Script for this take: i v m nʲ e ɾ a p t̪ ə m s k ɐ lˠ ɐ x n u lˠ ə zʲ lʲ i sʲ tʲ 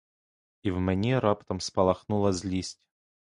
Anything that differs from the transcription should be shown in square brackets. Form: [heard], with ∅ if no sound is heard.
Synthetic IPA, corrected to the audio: i v m nʲ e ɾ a p t̪ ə m s [p] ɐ lˠ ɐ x n u lˠ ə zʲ lʲ i sʲ tʲ